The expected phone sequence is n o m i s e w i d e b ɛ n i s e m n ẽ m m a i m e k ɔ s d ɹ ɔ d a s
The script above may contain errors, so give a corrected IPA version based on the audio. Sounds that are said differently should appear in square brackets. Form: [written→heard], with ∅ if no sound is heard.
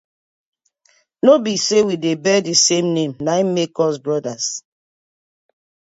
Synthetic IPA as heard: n o [m→b] i s e w i d e b ɛ [n→d] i s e m n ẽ m [m→n] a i m e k ɔ s [d→b] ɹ ɔ d a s

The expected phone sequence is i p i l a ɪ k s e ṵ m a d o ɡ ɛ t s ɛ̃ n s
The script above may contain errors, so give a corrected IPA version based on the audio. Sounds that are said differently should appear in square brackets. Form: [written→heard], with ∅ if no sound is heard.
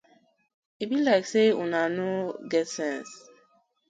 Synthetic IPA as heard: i [p→b] i l a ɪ k s e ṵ [m→n] a [d→n] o ɡ ɛ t s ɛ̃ n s

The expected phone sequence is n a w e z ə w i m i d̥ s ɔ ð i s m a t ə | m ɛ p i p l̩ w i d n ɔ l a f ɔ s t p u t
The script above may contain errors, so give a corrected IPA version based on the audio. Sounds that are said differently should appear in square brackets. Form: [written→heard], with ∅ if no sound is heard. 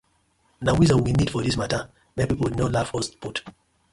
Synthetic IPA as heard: n a w [e→i] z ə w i [m→n] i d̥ [s→f] ɔ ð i s m a t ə | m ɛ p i p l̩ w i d n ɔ l a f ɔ s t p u t

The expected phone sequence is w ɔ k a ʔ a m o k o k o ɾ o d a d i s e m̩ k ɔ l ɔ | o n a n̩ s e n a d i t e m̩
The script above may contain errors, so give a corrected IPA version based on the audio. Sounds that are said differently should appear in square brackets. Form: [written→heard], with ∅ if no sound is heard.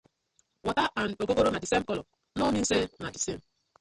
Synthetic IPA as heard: w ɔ [k→t] a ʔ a [m→n] o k o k o ɾ o [d→n] a d i s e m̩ k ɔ l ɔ | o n [a→i] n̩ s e n a d i [t→s] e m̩

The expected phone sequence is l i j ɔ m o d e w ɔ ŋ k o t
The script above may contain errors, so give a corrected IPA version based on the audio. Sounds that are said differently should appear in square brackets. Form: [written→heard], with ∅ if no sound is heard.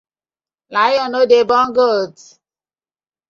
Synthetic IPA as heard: l [i→a] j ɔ [m→n] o d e [w→b] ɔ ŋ [k→ɡ] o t

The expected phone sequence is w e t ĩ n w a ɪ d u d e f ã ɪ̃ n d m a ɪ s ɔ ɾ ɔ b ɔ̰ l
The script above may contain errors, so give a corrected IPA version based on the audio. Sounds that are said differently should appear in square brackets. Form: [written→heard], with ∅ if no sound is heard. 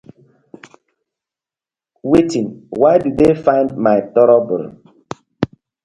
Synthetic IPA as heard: w e t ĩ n w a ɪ d u d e f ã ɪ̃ n d m a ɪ [s→t] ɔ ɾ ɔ b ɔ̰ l

